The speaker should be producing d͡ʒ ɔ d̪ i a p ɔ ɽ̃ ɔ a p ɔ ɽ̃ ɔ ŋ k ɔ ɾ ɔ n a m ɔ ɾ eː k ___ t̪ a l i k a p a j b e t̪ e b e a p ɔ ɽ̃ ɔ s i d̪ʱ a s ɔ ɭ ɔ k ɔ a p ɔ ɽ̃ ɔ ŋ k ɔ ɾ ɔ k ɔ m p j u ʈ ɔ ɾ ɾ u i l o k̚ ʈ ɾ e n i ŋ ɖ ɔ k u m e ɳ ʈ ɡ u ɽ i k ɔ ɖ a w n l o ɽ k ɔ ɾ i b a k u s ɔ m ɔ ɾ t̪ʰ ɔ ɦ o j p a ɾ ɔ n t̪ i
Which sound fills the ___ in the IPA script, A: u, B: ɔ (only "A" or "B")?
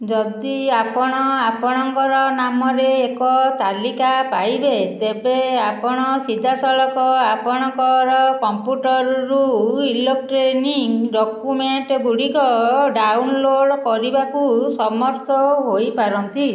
B